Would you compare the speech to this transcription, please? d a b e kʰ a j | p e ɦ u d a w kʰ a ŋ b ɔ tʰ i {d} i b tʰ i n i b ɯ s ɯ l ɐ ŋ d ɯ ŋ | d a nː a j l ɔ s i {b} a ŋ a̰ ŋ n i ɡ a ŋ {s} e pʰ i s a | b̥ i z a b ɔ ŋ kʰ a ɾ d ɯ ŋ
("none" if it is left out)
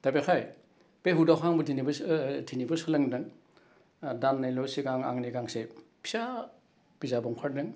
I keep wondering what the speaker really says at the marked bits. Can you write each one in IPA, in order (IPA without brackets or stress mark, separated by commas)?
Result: n, ɡ, s